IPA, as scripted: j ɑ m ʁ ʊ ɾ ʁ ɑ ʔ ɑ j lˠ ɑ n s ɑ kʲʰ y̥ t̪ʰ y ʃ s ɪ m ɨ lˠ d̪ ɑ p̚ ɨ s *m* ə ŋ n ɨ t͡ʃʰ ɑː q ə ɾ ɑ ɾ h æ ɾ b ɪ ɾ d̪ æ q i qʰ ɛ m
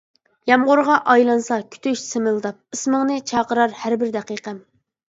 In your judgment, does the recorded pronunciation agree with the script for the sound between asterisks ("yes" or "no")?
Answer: yes